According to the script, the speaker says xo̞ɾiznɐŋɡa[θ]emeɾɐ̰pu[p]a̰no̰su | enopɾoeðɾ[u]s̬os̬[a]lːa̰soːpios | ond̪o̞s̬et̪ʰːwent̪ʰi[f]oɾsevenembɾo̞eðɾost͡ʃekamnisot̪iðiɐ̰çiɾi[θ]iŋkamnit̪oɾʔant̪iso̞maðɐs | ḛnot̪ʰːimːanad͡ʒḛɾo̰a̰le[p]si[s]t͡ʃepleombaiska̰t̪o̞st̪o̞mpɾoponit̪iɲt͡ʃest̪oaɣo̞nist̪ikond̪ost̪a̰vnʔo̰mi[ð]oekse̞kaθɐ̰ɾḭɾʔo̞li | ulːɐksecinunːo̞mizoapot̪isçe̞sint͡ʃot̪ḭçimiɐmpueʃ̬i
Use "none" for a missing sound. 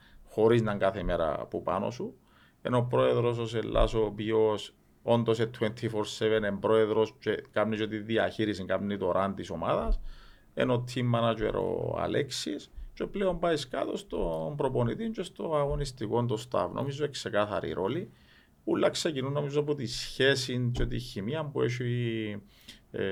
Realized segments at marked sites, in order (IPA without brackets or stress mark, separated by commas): θ, p, o, e, f, s, k, s, z